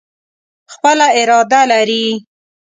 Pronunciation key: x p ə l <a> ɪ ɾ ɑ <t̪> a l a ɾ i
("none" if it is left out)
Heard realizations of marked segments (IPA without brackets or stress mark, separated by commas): a, d̪